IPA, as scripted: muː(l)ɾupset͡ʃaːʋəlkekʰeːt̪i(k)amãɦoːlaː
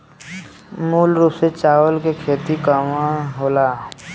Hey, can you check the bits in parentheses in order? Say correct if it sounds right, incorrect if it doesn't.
correct, correct

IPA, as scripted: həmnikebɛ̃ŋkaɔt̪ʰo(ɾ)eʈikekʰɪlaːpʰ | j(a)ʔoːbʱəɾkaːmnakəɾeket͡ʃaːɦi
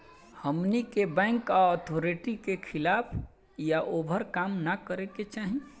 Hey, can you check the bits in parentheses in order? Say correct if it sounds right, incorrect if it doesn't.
correct, correct

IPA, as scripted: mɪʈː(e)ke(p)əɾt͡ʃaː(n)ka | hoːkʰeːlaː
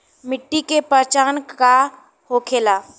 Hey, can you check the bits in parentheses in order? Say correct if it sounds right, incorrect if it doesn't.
incorrect, correct, correct

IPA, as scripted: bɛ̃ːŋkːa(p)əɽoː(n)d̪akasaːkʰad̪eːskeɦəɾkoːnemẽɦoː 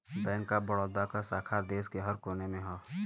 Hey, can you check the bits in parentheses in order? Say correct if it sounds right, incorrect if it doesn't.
incorrect, incorrect

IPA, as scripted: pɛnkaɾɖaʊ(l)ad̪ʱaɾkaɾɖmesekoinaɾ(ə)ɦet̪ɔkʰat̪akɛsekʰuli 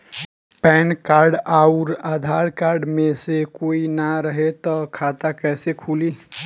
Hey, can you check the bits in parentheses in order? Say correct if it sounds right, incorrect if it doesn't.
incorrect, correct

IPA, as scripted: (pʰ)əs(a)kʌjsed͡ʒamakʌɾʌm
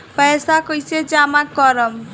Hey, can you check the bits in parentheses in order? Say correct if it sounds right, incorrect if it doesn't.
incorrect, correct

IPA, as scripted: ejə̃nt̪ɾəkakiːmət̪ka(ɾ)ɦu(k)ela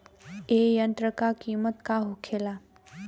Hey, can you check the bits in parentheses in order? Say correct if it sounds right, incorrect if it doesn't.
incorrect, incorrect

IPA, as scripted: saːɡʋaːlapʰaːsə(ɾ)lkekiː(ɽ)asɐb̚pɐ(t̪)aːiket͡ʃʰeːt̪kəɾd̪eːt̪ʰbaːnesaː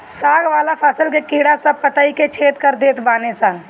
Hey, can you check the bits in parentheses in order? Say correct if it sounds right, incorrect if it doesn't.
incorrect, correct, correct

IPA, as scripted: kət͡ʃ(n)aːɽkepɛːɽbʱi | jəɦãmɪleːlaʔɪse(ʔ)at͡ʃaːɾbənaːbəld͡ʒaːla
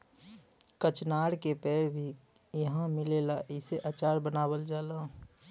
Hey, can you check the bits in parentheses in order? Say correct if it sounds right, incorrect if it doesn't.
correct, correct

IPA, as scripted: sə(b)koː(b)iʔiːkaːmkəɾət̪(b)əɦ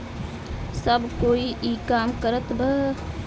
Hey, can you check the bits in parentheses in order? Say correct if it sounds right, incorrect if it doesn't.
correct, incorrect, correct

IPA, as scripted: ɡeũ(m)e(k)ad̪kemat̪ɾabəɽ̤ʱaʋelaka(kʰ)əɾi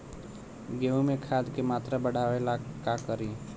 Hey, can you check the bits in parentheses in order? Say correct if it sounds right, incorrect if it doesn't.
correct, incorrect, incorrect

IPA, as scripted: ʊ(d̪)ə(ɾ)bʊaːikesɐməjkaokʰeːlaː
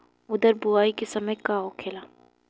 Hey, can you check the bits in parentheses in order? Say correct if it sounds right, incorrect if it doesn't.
correct, correct

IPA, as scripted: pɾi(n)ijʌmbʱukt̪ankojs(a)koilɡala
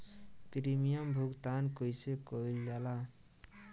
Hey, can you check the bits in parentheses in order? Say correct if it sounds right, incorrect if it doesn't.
incorrect, incorrect

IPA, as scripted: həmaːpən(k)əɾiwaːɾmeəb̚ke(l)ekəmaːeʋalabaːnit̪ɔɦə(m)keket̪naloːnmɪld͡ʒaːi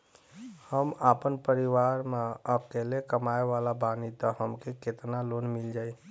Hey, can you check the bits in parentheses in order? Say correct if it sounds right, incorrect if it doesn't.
incorrect, correct, correct

